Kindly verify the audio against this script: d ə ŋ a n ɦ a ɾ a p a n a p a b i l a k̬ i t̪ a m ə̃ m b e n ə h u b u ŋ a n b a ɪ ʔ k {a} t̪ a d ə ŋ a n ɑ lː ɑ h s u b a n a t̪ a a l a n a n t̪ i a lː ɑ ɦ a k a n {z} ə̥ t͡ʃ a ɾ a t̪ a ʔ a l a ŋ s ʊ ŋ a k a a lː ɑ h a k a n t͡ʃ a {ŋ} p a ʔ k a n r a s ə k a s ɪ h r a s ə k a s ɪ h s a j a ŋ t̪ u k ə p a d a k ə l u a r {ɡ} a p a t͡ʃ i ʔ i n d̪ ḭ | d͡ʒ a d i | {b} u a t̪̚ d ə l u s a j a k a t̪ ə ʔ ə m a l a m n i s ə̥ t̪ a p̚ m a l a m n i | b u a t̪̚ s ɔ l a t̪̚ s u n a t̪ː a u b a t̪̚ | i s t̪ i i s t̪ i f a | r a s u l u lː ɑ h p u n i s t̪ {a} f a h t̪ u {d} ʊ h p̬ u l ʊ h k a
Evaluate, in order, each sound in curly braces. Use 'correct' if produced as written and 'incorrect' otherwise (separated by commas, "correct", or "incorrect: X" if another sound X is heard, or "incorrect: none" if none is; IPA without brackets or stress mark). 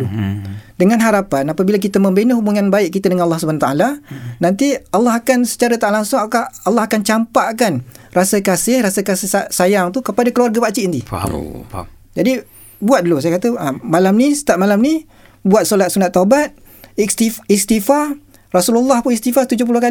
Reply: incorrect: i, incorrect: s, incorrect: m, correct, correct, incorrect: i, incorrect: d͡ʒ